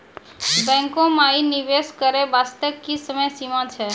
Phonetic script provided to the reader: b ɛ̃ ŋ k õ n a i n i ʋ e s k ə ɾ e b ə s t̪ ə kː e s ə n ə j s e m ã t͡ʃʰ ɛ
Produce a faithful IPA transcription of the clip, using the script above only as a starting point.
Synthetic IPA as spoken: b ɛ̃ ŋ k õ m a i n i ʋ e s k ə ɾ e b a s t̪ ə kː i s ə m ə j s i m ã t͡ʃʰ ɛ